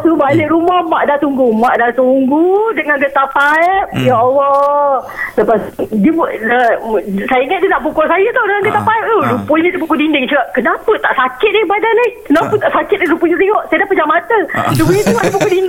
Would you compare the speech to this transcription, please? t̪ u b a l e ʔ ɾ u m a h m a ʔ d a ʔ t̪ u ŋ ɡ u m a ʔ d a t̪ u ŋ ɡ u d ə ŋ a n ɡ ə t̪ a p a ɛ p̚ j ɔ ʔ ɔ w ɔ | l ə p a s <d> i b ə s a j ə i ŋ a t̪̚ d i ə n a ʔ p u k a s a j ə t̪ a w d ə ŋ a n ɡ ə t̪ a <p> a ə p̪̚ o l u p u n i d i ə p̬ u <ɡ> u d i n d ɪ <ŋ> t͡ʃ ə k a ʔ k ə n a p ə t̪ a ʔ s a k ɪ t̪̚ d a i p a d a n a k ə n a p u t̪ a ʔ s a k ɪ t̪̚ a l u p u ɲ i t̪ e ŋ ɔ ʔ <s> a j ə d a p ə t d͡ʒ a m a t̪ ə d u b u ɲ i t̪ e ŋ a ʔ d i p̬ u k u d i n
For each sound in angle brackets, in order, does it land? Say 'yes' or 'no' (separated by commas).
yes, yes, no, yes, yes